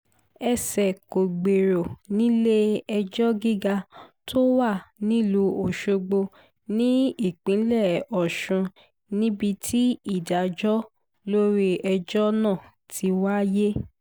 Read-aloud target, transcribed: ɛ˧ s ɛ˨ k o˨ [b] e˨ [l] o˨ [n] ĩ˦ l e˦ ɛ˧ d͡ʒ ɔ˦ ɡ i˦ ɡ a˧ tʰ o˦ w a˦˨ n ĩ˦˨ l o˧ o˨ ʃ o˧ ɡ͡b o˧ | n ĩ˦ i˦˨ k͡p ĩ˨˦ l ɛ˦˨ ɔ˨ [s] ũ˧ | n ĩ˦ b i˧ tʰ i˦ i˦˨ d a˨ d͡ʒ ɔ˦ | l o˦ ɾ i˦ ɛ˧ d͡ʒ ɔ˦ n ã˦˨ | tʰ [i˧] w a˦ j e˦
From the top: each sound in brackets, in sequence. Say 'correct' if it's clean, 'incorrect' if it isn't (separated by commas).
incorrect, incorrect, correct, incorrect, correct